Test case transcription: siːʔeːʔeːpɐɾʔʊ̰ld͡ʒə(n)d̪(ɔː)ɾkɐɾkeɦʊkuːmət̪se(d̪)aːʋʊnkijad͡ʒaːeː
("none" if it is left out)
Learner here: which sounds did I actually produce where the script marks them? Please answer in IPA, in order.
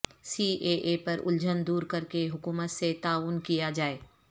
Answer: n, uː, t̪

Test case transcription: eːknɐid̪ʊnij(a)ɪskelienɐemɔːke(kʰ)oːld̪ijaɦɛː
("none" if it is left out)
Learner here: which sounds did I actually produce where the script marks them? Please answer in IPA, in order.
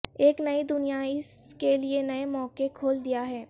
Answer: a, kʰ

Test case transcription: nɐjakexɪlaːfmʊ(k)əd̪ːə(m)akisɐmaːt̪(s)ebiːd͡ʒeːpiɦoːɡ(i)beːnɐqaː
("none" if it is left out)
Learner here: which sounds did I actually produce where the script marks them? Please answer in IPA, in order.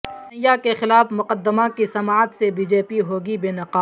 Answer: q, m, s, i

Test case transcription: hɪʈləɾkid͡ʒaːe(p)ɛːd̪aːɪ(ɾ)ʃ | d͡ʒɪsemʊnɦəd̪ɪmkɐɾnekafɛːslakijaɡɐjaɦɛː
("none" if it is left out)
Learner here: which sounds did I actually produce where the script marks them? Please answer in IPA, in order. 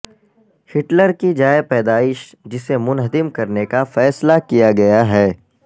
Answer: p, none

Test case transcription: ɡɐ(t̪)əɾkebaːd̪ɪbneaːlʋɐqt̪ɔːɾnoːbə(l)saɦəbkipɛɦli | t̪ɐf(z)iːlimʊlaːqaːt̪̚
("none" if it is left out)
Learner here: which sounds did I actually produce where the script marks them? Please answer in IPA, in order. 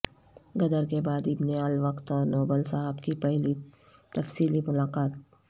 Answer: d̪, l, s

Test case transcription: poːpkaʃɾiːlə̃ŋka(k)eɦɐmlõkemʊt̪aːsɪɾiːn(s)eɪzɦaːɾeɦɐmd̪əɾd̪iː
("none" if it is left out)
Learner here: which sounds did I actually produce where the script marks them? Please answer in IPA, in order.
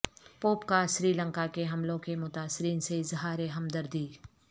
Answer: k, s

